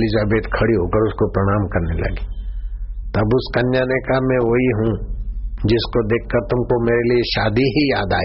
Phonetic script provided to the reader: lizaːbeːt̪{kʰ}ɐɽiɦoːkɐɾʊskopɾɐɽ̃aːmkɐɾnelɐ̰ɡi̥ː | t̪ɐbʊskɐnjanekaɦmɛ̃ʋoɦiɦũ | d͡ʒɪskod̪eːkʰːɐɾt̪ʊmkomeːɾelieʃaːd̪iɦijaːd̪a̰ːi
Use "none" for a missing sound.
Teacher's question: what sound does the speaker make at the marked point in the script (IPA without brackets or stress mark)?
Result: kʰ